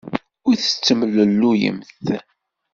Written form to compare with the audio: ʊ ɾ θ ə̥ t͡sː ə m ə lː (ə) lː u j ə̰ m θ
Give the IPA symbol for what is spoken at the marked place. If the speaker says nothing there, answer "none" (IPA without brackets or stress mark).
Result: ə